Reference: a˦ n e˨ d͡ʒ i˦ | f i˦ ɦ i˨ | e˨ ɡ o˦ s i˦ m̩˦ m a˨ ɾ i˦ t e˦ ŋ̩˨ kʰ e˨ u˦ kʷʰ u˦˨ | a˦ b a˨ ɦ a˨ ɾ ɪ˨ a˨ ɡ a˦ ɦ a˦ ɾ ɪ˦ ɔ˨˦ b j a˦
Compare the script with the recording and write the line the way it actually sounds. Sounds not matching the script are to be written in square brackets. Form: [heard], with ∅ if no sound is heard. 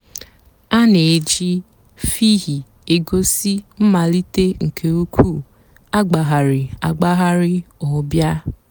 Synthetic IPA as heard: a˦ n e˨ d͡ʒ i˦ | f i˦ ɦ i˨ | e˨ ɡ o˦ s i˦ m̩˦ m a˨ [l] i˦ t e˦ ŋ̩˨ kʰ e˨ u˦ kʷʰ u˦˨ | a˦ [ɡ͡b] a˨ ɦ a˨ ɾ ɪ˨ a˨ [ɡ͡b] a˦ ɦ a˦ ɾ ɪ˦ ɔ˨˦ b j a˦